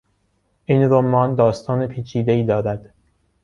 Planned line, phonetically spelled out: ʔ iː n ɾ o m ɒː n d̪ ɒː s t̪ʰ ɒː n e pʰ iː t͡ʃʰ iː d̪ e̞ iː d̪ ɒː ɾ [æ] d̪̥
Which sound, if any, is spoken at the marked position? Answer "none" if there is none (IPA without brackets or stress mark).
æ